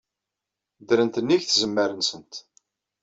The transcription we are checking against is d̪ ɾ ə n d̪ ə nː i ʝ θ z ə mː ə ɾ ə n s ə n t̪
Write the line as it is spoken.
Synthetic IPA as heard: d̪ ɾ ə n t̪ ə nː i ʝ θ z ə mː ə ɾ ə n s ə n t̪